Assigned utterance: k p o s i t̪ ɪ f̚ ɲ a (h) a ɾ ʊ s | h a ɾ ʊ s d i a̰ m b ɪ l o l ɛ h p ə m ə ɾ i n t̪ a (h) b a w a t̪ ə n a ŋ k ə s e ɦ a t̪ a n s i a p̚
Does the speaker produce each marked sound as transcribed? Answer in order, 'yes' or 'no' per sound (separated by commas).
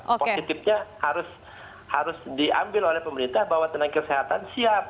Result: yes, yes